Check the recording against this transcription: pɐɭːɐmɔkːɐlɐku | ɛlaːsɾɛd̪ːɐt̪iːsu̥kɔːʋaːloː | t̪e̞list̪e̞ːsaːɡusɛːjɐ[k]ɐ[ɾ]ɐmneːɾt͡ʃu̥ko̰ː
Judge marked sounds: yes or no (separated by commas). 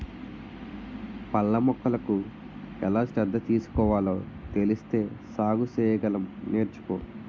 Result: no, no